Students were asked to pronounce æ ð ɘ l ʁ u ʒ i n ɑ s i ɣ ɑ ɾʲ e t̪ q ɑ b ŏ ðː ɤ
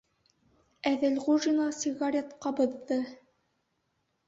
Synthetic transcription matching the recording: æ ð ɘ l ʁ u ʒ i n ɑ s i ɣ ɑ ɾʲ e t̪ q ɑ b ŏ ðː ɤ